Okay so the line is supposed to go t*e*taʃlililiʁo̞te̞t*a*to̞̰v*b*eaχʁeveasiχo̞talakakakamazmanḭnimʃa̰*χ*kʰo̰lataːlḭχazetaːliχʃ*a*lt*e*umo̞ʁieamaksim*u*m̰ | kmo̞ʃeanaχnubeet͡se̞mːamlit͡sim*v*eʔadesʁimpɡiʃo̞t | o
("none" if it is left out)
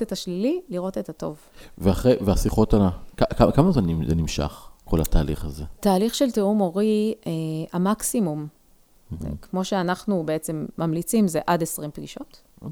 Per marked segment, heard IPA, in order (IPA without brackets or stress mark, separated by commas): e, a, v, χ, e, e, u, z